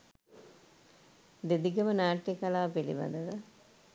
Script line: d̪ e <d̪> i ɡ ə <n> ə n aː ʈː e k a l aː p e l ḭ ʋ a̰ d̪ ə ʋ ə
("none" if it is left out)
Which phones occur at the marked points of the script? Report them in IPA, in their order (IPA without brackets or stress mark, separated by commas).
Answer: d̪, m